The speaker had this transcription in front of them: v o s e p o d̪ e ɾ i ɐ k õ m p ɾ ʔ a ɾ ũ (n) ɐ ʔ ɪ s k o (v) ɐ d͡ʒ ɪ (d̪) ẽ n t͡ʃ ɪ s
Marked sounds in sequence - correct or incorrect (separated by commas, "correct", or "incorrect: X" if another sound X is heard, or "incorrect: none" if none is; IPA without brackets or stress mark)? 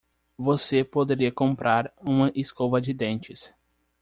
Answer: incorrect: m, correct, correct